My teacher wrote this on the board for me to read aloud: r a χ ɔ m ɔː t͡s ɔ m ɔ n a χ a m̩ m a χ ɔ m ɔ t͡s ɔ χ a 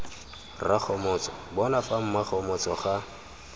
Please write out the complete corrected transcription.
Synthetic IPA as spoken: r a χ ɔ m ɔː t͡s ɔ b ɔ n a f a m̩ m a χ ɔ m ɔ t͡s ɔ χ a